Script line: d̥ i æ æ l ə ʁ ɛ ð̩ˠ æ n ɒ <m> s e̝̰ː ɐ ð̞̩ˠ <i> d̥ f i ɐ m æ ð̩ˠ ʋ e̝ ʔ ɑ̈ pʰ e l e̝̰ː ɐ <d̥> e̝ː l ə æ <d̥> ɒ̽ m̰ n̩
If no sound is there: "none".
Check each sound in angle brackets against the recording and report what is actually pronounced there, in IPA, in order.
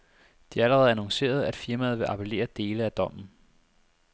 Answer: ŋ, æ, d̥, d̥

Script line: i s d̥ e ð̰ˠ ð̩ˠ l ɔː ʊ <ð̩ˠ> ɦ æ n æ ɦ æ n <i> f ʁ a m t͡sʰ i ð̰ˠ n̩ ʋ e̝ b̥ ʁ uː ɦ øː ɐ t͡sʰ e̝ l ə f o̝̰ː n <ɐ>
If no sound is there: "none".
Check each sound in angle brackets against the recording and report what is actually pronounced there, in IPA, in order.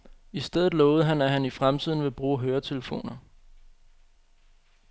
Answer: ð̩ˠ, i, ɐ

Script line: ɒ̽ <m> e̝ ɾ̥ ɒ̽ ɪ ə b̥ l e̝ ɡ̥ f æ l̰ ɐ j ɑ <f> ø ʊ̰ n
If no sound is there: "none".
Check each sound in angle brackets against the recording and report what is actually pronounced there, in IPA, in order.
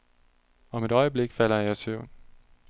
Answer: m, s

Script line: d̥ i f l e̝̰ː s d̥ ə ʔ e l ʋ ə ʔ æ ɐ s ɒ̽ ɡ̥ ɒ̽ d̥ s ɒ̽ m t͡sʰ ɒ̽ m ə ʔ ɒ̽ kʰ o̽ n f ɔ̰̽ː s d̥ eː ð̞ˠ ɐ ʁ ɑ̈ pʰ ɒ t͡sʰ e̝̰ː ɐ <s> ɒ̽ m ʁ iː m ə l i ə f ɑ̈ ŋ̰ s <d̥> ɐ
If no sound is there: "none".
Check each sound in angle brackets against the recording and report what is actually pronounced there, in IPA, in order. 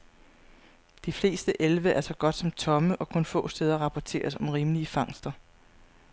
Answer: s, d̥

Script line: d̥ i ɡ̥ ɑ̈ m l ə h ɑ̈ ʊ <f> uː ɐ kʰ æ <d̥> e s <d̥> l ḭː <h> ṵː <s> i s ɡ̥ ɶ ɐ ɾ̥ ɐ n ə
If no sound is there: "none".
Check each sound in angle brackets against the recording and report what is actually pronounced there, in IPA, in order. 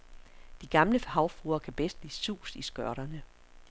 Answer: f, b̥, d̥, s, s

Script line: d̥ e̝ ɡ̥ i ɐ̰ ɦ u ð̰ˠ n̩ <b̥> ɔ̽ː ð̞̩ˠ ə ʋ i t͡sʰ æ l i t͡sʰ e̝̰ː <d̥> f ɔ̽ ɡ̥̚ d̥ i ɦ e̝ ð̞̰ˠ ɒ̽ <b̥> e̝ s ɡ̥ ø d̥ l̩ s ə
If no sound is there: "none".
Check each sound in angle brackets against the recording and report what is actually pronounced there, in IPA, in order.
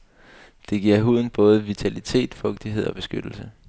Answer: b̥, d̥, b̥

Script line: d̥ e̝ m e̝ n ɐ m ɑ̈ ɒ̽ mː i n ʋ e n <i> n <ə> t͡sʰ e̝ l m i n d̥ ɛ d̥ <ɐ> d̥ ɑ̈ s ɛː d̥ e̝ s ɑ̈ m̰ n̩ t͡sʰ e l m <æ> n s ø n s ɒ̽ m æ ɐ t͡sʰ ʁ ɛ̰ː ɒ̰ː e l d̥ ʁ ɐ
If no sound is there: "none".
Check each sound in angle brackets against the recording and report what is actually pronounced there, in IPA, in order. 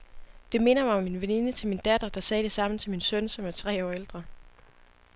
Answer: i, ə, ɐ, i

